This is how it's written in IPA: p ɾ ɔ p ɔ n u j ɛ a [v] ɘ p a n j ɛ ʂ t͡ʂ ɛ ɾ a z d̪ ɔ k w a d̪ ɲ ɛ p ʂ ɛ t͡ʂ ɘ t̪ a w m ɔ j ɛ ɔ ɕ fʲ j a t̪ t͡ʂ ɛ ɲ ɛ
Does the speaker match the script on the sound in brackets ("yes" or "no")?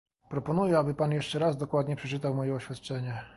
no